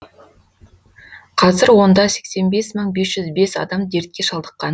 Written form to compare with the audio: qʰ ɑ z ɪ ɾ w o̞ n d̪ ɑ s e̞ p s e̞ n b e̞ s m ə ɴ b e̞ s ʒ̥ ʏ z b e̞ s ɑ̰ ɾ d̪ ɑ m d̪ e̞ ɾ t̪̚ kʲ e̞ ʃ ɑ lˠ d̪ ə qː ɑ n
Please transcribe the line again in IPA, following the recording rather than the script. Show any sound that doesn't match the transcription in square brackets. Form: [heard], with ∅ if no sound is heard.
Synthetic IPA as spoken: qʰ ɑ z ɪ ɾ w o̞ n d̪ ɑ s e̞ [k] s e̞ n b e̞ s m ə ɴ b e̞ s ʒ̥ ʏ z b e̞ s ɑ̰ [∅] d̪ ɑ m d̪ e̞ ɾ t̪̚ kʲ e̞ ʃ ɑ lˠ d̪ ə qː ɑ n